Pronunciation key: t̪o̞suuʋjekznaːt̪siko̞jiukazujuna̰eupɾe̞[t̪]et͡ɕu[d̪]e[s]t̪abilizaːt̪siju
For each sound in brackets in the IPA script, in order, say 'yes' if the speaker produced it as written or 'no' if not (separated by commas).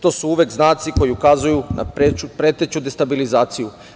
yes, yes, yes